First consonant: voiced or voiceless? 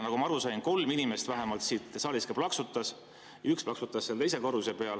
voiced